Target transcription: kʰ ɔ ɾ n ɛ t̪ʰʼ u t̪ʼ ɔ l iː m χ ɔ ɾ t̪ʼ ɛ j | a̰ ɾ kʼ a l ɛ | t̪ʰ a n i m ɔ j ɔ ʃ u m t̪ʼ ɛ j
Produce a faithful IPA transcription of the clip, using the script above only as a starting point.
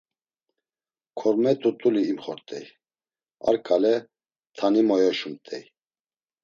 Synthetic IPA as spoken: kʰ ɔ ɾ m ɛ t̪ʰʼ u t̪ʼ u l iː m χ ɔ ɾ t̪ʼ ɛ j | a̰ ɾ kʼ a l ɛ | t̪ʰ a n i m ɔ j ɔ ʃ u m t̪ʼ ɛ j